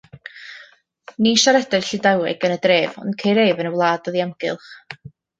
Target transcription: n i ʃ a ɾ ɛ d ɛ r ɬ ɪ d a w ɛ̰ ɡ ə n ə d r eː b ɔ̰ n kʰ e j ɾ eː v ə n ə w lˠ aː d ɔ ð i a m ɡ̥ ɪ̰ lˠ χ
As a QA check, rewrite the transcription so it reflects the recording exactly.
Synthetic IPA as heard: n i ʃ a ɾ ɛ d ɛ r ɬ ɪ d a w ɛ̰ ɡ ə n ə d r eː v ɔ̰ n kʰ e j ɾ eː v ə n ə w lˠ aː d ɔ ð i a m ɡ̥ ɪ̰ lˠ χ